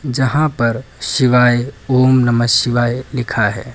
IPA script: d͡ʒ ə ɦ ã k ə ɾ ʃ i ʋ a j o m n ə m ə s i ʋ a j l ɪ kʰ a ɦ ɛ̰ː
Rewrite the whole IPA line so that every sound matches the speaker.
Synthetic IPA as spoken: d͡ʒ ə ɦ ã p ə ɾ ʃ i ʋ a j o m n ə m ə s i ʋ a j l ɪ kʰ a ɦ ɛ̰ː